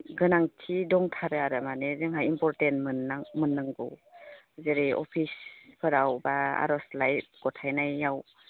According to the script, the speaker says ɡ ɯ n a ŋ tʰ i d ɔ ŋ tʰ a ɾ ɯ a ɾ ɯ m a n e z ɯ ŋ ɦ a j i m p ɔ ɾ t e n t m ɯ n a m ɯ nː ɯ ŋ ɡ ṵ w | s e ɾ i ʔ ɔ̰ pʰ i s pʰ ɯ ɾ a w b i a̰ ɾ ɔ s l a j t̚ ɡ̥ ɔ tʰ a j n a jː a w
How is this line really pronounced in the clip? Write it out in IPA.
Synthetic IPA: ɡ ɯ n a ŋ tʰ i d ɔ ŋ tʰ a ɾ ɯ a ɾ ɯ m a n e z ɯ ŋ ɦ a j i m p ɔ ɾ t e n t m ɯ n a m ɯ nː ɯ ŋ ɡ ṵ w | z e ɾ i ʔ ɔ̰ pʰ i s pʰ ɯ ɾ a w b a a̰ ɾ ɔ s l a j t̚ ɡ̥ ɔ tʰ a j n a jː a w